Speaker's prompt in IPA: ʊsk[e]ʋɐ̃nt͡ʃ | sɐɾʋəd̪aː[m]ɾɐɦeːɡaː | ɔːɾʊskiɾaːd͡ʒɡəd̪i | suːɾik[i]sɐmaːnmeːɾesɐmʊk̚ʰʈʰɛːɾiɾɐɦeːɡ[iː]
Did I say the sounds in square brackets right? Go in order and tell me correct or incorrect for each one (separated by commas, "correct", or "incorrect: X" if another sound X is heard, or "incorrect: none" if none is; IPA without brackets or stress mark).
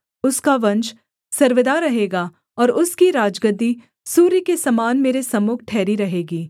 incorrect: a, incorrect: none, incorrect: e, correct